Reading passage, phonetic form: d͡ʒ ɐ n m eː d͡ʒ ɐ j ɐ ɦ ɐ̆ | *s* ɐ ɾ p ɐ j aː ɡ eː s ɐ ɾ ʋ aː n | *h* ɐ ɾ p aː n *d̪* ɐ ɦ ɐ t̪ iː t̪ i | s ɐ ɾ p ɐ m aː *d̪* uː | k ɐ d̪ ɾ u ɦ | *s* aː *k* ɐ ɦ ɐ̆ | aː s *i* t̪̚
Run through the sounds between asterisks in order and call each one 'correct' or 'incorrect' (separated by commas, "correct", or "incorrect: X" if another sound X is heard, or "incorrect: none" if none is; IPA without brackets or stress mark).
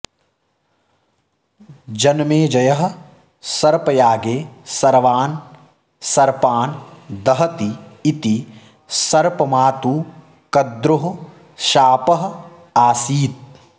correct, incorrect: s, correct, incorrect: t̪, incorrect: ʃ, incorrect: p, incorrect: iː